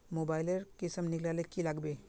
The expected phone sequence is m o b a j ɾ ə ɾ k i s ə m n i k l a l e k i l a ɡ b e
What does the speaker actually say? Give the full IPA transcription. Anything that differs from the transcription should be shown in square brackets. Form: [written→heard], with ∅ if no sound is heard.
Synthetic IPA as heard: m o b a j [ɾ→l] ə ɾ k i s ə m n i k l a l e k i l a ɡ b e

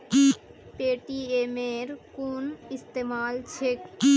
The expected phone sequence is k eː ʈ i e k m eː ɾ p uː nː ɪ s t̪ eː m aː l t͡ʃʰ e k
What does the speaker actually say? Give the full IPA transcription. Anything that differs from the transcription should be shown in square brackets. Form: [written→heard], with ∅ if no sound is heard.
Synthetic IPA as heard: [k→p] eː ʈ i e [k→∅] m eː ɾ [p→k] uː [nː→n] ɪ s t̪ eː m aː l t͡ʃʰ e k

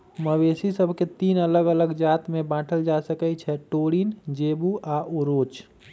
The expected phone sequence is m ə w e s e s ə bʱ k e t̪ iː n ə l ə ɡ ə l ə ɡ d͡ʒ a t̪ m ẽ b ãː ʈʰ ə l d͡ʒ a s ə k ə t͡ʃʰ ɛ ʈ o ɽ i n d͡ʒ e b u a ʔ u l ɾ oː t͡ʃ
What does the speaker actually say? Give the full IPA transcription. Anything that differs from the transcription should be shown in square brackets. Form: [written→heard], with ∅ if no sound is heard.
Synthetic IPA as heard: m ə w e s [e→i] s ə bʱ k e t̪ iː n ə l ə ɡ ə l ə ɡ d͡ʒ a t̪ m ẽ b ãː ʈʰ ə l d͡ʒ a s ə k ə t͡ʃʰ ɛ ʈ o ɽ i n d͡ʒ e b u a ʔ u [l→∅] ɾ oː t͡ʃ

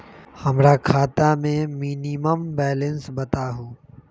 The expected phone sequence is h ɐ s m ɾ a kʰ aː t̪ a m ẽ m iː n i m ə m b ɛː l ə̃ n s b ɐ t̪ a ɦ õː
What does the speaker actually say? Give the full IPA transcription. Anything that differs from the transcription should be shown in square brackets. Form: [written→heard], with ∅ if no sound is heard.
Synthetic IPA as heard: h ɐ [s→∅] m ɾ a kʰ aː t̪ a m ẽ m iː n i m ə m b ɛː l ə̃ n s b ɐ t̪ a ɦ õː

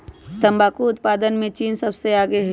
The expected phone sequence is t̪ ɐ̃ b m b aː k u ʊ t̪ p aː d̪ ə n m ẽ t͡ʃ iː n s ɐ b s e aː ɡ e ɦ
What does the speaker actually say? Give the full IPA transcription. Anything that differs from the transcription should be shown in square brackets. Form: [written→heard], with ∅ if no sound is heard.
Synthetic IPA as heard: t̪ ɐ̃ [b→∅] m b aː k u ʊ t̪ p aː d̪ ə n m ẽ t͡ʃ iː n s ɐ b s e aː ɡ e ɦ

